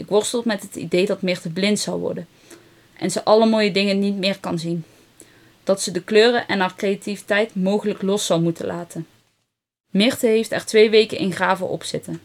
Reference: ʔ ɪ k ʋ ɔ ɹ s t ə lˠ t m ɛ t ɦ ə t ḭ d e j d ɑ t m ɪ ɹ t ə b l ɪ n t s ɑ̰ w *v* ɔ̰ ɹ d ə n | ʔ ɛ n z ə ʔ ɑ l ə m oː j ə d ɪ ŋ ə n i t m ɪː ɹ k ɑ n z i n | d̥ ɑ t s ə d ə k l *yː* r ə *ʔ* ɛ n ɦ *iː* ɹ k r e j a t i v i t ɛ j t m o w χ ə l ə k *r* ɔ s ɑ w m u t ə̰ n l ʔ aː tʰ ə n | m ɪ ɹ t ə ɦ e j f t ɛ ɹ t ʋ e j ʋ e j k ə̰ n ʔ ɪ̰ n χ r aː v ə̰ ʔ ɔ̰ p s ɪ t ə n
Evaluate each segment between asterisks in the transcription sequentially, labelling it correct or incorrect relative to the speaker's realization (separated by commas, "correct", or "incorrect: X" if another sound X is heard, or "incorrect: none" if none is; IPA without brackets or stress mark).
incorrect: ʋ, incorrect: øː, correct, incorrect: aː, incorrect: l